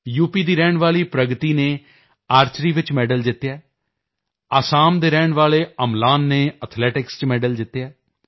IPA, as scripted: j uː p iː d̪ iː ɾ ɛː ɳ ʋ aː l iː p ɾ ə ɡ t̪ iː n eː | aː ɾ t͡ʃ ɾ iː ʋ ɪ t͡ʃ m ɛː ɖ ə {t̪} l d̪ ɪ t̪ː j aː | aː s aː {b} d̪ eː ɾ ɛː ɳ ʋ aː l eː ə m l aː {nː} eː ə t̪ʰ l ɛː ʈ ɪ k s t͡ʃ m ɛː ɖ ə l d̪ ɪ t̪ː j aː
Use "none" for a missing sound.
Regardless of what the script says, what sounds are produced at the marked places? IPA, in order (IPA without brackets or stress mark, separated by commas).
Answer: none, m, nː